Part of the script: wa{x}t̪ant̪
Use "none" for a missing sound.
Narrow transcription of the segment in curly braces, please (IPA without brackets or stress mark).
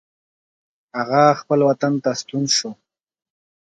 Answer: none